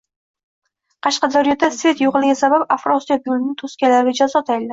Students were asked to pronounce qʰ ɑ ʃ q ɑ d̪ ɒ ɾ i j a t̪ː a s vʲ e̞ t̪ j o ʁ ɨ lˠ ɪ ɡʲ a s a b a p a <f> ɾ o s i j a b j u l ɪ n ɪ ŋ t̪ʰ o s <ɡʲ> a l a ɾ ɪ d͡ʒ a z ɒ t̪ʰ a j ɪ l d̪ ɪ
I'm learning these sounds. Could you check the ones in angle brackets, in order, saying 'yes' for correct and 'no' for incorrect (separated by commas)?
yes, no